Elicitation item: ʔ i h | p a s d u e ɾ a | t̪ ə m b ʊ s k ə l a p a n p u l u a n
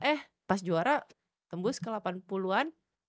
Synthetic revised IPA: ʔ ɛ h | p a s d͡ʒ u a ɾ a | t̪ ə m b ʊ s k ə l a p a n p u l u a n